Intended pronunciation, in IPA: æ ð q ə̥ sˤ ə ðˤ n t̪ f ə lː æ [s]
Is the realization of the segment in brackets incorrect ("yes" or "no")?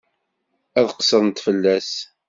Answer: no